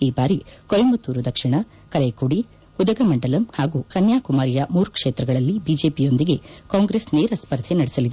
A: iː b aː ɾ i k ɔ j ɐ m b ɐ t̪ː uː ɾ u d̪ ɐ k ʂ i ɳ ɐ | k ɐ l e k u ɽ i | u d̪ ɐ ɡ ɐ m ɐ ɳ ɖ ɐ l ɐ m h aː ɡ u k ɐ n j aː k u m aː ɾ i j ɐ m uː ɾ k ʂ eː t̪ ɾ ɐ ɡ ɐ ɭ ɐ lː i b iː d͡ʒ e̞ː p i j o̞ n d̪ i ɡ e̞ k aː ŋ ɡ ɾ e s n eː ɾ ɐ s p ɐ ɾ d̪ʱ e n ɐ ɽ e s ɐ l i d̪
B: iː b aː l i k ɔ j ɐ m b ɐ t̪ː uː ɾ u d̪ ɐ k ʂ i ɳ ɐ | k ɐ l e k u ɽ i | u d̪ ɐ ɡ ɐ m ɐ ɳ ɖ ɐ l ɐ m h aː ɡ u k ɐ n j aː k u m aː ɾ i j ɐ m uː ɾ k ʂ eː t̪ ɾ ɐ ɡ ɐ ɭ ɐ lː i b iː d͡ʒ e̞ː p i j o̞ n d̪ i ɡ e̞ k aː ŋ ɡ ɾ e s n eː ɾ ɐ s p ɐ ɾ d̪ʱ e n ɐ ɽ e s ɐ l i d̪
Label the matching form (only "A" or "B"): A